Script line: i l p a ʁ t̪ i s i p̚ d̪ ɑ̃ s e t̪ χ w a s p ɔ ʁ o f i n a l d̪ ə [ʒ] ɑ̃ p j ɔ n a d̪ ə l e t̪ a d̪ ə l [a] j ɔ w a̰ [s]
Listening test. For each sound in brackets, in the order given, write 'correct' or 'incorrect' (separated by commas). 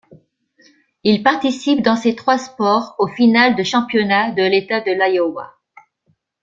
incorrect, correct, incorrect